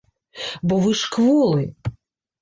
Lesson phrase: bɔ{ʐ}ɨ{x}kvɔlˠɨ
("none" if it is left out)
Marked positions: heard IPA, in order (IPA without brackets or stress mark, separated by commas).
v, ʂ